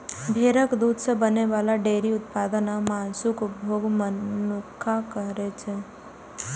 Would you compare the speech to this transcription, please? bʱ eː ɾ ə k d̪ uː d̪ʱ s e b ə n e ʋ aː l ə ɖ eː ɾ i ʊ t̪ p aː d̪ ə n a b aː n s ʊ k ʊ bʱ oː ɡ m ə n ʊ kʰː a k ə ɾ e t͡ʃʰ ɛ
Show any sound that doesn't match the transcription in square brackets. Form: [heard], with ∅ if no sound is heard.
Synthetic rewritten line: bʱ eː ɾ ə k d̪ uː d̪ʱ s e b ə n e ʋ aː l [a] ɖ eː ɾ i ʊ t̪ p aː d̪ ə n a [m] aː n s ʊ k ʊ bʱ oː ɡ m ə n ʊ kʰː a k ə ɾ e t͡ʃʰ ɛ

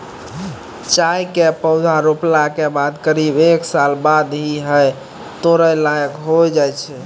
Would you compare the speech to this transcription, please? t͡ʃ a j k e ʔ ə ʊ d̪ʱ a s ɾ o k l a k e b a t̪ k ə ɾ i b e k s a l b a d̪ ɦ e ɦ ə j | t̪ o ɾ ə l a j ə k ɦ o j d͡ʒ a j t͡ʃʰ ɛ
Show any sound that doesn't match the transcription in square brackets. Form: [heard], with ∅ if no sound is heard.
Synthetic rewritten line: t͡ʃ a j k e [p] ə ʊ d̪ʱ a [∅] ɾ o [p] l a k e b a [d̪] k ə ɾ i b e k s a l b a d̪ ɦ [i] ɦ ə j | t̪ o ɾ ə l a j ə k ɦ o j d͡ʒ a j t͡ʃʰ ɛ

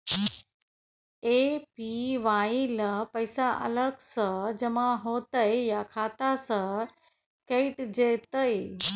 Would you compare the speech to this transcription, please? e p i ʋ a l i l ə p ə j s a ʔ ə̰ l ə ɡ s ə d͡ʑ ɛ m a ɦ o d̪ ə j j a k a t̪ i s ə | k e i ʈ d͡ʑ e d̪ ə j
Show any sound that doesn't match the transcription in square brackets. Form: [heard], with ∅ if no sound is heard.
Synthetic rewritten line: e p i ʋ a [∅] i l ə p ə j s a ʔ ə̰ l ə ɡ s ə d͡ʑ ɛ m a ɦ o [t̪] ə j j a [kʰ] a t̪ [a] s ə | k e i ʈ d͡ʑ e [t̪] ə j

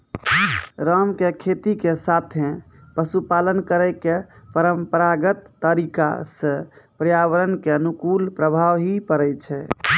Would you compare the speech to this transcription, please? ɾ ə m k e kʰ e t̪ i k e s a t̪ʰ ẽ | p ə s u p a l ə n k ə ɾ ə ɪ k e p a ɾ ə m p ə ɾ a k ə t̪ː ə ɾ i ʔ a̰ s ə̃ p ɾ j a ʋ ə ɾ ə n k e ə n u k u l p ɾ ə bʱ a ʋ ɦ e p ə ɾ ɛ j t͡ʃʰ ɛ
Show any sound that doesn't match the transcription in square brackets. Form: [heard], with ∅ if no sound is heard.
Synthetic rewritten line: ɾ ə m k e kʰ e t̪ i k e s a t̪ʰ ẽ | p ə s u p a l ə n k ə ɾ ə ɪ k e p [ə] ɾ ə m p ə ɾ a [ɡ] ə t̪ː ə ɾ i [k] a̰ s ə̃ p ɾ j a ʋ ə ɾ ə n k e ə n u k u l p ɾ ə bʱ a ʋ ɦ [i] p ə ɾ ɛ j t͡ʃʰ ɛ

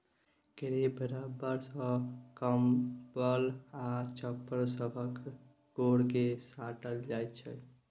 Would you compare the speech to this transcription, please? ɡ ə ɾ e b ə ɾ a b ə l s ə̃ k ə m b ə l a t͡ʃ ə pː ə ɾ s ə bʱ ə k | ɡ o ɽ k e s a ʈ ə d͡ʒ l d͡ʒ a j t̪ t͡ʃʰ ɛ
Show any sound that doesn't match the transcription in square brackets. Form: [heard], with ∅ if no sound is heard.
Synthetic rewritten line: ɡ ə ɾ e b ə ɾ a b ə [ɾ] s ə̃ k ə m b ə l a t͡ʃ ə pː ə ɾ s ə bʱ ə k | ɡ o ɽ k e s a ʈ ə [∅] l d͡ʒ a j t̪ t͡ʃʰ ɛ

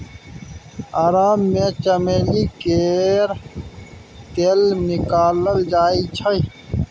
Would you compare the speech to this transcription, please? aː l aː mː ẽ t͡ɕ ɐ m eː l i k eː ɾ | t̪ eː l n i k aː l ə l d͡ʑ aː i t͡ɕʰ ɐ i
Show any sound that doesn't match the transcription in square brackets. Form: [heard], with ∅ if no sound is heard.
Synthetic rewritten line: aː [ɾ] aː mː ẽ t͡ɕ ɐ m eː l i k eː ɾ | t̪ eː l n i k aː l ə l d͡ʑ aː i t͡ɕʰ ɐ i

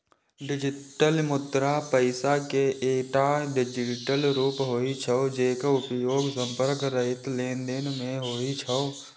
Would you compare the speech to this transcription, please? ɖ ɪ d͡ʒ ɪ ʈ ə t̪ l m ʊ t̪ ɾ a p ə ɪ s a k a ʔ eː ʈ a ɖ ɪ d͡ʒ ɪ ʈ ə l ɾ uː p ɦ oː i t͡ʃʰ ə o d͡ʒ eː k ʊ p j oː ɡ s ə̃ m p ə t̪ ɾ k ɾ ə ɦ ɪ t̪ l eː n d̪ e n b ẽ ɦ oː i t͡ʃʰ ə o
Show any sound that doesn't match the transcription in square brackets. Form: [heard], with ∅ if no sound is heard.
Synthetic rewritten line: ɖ ɪ d͡ʒ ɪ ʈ ə [∅] l m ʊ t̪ ɾ a p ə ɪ s a k [e] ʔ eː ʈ a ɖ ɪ d͡ʒ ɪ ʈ ə l ɾ uː p ɦ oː i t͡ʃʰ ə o d͡ʒ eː k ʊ p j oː ɡ s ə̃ m p ə [∅] ɾ k ɾ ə ɦ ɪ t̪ l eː n d̪ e n [m] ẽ ɦ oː i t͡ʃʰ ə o

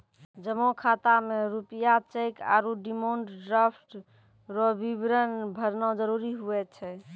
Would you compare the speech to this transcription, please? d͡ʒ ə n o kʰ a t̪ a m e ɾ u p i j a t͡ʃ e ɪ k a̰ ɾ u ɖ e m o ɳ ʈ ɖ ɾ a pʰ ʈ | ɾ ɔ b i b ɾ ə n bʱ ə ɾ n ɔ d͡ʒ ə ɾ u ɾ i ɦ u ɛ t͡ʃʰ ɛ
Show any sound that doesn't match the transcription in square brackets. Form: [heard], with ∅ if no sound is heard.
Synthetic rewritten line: d͡ʒ ə [m] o kʰ a t̪ a m e ɾ u p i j a t͡ʃ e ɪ k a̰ ɾ u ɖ [i] m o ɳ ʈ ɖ ɾ a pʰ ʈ | ɾ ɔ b i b ɾ ə n bʱ ə ɾ n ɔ d͡ʒ ə ɾ u ɾ i ɦ u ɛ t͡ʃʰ ɛ

